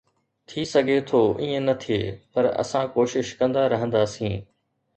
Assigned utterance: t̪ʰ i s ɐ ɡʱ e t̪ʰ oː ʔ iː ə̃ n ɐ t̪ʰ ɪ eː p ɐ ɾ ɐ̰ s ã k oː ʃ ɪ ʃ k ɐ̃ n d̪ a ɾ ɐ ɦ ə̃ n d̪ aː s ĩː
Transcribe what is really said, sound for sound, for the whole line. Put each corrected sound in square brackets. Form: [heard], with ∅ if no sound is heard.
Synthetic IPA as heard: t̪ʰ i s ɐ ɡʱ e t̪ʰ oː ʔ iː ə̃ n ɐ t̪ʰ [i] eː p ɐ ɾ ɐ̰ s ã k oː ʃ ɪ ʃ k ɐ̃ n d̪ a ɾ ɐ ɦ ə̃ n d̪ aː s ĩː